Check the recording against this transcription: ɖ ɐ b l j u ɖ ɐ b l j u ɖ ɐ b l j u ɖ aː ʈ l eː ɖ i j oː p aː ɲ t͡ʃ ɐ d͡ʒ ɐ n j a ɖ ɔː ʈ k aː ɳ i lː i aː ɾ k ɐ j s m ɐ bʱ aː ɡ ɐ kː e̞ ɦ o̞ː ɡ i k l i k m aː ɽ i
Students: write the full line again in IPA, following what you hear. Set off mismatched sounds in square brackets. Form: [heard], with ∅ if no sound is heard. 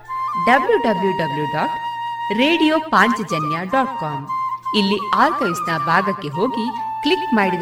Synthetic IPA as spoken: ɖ ɐ b l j u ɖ ɐ b l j u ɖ ɐ b l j u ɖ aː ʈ [ɾ] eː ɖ i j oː p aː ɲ t͡ʃ ɐ d͡ʒ ɐ n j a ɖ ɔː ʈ k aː [m] i lː i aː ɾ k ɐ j s [n] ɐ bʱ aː ɡ ɐ kː e̞ ɦ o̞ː ɡ i k l i k m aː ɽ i